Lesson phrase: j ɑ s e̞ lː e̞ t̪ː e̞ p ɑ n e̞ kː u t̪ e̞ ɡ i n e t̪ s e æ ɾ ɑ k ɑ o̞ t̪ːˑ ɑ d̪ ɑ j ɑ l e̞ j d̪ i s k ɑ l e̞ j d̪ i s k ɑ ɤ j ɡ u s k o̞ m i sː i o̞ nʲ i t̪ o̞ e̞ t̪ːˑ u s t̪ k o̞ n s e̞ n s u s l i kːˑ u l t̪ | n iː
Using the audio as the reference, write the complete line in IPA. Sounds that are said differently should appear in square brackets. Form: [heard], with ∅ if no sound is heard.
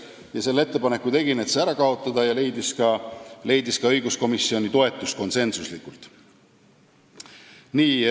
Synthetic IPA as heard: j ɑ s e̞ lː e̞ t̪ː e̞ p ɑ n e̞ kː u t̪ e̞ ɡ i n e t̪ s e æ ɾ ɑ k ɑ o̞ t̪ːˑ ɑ d̪ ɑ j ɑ l e̞ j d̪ i s k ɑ l e̞ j d̪ i s k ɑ ɤ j ɡ u s k o̞ m i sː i o̞ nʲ i t̪ o̞ e̞ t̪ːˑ u s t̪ k o̞ n s e̞ n s u s l i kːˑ u l t̪ | n iː